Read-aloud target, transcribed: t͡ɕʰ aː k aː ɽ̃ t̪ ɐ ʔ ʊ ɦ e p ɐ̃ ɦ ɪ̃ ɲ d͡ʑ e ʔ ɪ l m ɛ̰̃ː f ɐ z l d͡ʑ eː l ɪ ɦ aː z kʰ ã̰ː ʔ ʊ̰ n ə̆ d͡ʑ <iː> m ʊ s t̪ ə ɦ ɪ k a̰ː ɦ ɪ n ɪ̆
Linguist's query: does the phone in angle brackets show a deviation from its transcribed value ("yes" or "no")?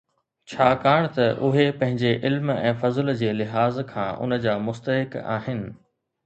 yes